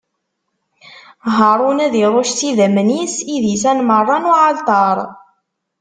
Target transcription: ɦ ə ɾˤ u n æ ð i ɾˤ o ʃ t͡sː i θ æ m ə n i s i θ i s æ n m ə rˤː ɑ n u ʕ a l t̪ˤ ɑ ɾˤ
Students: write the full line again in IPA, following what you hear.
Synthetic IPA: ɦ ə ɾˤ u n æ ð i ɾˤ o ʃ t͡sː i ð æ m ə n i s i ð i s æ n m ə rˤː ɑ n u ʕ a l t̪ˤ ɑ ɾˤ